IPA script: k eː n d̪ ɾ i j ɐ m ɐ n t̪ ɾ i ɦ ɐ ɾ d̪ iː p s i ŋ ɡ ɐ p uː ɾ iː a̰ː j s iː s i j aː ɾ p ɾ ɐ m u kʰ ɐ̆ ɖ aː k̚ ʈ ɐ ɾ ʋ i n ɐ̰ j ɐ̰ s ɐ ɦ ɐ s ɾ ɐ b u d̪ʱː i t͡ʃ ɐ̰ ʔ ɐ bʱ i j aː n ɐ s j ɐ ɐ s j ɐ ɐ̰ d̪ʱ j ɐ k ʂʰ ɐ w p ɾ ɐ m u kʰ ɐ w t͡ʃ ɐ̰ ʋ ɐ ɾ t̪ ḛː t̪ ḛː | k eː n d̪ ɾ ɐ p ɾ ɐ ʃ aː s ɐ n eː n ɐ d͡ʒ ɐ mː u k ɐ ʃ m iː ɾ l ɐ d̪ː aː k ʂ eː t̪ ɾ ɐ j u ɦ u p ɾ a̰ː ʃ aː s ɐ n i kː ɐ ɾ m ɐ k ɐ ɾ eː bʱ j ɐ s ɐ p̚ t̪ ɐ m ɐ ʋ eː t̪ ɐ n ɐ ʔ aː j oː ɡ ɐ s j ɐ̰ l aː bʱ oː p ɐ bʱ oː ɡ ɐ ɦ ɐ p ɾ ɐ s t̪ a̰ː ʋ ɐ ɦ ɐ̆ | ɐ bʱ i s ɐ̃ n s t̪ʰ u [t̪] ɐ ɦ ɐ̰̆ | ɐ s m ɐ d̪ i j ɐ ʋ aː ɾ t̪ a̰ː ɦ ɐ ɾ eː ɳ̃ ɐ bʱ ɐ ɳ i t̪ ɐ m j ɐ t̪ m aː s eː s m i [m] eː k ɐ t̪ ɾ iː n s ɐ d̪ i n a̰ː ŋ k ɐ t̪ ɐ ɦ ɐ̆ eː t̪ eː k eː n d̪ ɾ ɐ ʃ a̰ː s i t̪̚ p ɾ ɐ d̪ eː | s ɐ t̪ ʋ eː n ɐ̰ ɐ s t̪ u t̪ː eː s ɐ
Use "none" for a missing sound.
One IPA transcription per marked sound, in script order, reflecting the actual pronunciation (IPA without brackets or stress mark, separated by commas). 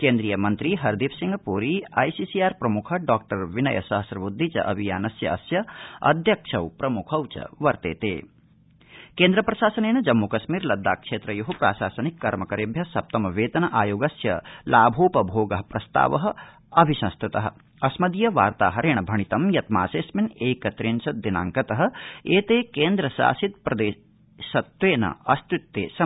t̪, n